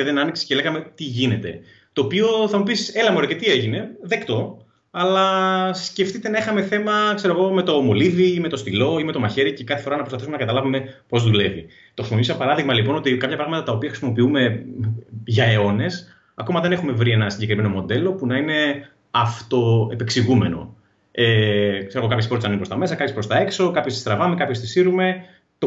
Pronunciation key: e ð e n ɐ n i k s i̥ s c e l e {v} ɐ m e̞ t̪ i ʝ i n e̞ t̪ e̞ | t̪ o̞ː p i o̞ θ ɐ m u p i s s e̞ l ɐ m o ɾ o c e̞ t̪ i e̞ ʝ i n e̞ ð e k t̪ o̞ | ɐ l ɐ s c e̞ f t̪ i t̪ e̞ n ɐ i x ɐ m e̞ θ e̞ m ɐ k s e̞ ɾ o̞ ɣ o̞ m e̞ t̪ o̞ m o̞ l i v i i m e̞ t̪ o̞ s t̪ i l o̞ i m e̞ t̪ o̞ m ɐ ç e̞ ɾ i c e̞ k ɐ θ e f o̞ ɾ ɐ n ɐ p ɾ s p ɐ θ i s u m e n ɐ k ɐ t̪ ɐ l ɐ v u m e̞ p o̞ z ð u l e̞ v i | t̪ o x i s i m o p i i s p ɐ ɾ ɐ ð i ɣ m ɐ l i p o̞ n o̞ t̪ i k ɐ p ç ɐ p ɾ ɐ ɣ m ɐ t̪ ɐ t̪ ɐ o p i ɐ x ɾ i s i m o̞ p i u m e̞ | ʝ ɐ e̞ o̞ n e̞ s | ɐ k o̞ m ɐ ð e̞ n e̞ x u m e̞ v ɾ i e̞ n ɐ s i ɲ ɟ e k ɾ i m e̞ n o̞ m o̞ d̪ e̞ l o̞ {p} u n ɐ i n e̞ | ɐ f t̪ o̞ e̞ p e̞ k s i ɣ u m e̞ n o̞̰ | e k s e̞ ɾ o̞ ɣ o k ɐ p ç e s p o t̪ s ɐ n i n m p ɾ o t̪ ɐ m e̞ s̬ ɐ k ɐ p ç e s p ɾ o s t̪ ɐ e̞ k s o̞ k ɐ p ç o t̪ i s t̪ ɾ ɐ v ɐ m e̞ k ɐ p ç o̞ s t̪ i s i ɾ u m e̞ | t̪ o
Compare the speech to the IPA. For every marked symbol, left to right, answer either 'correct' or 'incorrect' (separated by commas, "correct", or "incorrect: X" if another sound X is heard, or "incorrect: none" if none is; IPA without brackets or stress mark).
incorrect: ɣ, correct